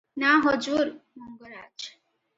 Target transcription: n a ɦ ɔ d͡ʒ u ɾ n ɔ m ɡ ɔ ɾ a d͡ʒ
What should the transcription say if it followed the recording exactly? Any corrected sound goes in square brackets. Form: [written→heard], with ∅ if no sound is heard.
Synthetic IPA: n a ɦ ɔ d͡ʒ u ɾ [n→m] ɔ [m→ŋ] ɡ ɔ ɾ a d͡ʒ